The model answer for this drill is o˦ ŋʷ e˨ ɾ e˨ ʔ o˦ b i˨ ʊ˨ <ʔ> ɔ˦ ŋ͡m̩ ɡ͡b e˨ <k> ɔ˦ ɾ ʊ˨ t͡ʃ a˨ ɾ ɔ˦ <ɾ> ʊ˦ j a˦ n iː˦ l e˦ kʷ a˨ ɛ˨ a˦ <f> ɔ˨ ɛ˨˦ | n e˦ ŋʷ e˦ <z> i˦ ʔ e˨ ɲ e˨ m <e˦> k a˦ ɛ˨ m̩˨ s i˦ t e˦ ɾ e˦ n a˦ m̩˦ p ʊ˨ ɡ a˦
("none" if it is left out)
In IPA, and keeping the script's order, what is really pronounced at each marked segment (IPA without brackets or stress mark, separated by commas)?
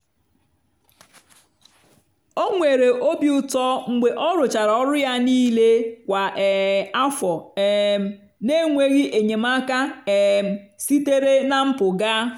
t, ʔ, ɾ, f, ɣ, a˦